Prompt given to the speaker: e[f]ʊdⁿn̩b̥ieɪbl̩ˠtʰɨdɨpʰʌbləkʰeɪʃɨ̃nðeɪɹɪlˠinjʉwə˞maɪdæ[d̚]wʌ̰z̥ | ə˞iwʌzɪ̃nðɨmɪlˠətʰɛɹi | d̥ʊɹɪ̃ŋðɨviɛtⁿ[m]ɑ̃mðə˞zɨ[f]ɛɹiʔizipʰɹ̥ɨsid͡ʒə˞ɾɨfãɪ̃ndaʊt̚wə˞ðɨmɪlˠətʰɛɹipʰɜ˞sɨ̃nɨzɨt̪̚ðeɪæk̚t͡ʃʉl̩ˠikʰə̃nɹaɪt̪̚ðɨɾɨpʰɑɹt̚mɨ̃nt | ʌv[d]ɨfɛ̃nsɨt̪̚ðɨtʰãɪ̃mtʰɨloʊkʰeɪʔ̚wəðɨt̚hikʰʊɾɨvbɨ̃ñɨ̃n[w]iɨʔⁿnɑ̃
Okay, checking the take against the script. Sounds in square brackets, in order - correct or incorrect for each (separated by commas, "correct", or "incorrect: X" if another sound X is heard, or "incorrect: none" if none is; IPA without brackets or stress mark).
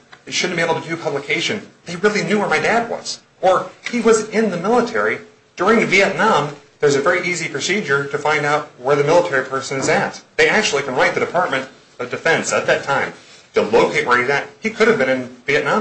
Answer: incorrect: ʃ, correct, incorrect: n, incorrect: v, correct, incorrect: v